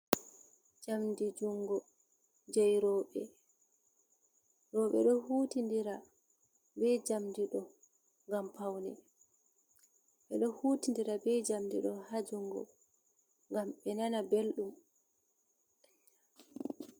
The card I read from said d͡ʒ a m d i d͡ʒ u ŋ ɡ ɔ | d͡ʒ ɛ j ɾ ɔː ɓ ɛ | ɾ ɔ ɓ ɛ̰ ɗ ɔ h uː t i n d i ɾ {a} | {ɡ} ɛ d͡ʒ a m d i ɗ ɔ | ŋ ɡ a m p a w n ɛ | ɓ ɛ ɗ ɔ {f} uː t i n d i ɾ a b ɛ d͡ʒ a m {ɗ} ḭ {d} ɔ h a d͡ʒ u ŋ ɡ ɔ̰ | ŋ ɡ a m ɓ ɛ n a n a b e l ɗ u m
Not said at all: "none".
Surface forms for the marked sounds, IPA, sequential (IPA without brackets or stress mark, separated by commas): a, b, h, d, ɗ